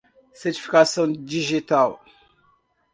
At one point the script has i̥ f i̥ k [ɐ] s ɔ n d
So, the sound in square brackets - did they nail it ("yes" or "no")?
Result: no